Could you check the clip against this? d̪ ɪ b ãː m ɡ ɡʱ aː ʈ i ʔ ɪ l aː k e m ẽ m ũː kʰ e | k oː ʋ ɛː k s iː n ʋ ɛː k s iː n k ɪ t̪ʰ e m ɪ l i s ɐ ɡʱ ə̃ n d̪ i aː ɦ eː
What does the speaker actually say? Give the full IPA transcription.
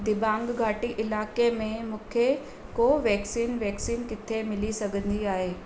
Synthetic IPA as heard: d̪ ɪ b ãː ŋ ɡ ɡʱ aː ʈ i ʔ ɪ l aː k e m ẽ m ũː kʰ e | k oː ʋ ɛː k s iː n ʋ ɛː k s iː n k ɪ t̪ʰ e m ɪ l i s ɐ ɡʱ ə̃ n d̪ i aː ɦ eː